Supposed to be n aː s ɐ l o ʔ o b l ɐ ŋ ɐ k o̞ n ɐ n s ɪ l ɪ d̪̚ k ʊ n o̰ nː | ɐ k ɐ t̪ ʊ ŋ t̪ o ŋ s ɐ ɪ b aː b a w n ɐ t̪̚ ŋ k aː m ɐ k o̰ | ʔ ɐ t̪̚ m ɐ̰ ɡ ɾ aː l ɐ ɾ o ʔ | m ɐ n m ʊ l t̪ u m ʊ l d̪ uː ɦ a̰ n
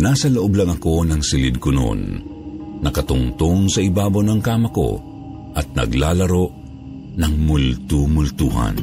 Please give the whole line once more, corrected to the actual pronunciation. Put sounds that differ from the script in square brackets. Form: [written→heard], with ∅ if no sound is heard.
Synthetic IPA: n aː s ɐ l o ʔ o b l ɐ ŋ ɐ k o̞ n ɐ [n→ŋ] s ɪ l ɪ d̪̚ k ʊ n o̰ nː | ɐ k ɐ t̪ ʊ ŋ t̪ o ŋ s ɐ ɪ b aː b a w n ɐ [t̪̚→∅] ŋ k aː m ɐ k o̰ | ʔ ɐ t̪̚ [m→n] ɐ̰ ɡ [ɾ→l] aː l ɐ ɾ o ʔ | [m→n] ɐ [n→ŋ] m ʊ l t̪ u m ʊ l [d̪→t̪] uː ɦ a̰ n